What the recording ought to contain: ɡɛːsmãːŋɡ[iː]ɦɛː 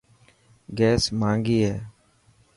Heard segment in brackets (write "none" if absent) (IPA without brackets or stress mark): iː